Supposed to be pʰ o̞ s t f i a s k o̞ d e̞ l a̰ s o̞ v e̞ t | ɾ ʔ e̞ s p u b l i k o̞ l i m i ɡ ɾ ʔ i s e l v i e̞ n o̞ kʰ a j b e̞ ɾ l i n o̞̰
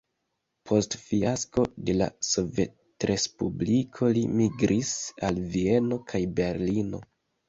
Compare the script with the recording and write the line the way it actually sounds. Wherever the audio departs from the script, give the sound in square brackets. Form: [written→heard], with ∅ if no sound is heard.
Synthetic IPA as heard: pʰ o̞ s t f i a s k o̞ d e̞ l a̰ s o̞ v e̞ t | ɾ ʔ e̞ s p u b l i [k→kʰ] o̞ l i m i ɡ ɾ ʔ i s [e→a] l v i e̞ n o̞ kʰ a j b e̞ ɾ l i n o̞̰